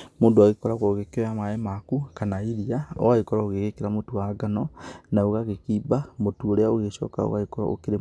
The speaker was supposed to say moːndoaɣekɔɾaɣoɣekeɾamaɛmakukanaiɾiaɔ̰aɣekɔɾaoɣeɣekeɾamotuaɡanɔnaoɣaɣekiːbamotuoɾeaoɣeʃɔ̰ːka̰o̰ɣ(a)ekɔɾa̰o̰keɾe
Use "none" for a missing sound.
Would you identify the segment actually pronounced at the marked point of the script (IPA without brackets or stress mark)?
a